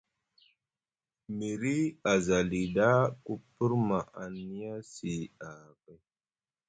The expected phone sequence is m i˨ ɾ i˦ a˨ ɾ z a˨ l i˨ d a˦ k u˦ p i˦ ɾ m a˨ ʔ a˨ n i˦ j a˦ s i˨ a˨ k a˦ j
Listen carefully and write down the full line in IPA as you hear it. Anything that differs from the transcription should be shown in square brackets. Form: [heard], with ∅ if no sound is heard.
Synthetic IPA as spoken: m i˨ ɾ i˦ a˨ [∅] z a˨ l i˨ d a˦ k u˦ p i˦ ɾ m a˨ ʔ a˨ n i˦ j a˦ s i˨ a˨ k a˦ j